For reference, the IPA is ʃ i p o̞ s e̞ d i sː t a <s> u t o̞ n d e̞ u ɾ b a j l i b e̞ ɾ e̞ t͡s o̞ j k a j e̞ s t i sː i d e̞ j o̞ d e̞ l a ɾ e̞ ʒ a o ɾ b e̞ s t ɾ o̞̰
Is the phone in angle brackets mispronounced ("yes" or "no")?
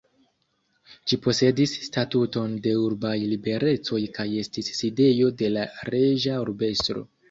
yes